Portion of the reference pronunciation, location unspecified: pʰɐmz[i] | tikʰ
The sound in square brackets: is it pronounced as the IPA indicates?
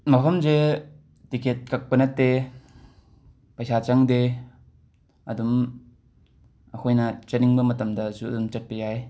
no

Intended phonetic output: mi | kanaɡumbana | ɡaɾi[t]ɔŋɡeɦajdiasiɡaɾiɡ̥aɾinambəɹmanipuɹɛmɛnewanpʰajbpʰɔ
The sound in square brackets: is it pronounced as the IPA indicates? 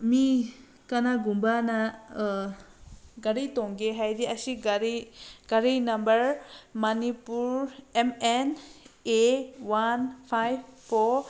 yes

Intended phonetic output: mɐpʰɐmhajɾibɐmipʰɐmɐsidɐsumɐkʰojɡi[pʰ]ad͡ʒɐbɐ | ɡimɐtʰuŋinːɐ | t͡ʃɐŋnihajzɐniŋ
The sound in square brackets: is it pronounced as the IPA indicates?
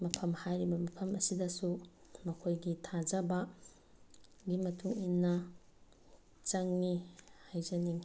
no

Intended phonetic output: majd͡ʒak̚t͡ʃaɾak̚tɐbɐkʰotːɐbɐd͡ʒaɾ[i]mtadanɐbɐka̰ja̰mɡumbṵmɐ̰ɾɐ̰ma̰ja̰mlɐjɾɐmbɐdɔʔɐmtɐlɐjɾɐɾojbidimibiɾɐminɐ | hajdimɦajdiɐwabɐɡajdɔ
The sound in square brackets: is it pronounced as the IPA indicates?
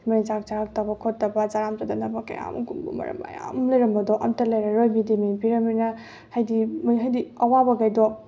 no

